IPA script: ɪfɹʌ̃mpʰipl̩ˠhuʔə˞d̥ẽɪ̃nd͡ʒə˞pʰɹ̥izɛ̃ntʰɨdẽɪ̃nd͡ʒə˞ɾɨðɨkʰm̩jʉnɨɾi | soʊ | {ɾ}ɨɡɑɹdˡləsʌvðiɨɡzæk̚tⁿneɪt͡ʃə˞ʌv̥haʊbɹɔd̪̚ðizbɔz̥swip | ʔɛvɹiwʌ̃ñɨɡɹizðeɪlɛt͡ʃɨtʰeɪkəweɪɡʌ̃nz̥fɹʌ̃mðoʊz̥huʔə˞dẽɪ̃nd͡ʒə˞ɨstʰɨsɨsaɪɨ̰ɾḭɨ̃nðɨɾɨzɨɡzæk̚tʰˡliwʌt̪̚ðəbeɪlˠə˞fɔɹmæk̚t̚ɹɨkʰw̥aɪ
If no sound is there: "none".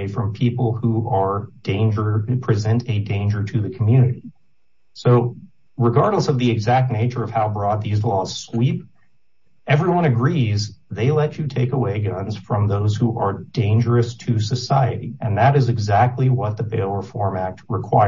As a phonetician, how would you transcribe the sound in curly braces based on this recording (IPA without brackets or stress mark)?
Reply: ɹ